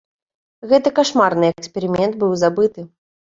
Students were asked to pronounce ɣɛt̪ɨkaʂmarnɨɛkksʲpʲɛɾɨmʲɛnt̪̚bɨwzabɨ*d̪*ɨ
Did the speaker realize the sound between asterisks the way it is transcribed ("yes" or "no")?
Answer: no